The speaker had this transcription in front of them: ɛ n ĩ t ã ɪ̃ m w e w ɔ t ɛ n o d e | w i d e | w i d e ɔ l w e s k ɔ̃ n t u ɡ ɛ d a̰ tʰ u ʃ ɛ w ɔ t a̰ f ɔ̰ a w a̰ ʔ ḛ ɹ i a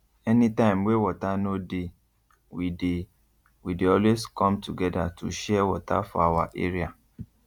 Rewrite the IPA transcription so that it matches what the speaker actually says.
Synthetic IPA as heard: ɛ n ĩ t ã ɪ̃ m w e w ɔ t a n o d e | w i d e | w i d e ɔ l w e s k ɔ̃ m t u ɡ ɛ d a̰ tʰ u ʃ ɛ w ɔ t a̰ f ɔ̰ a w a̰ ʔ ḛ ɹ i a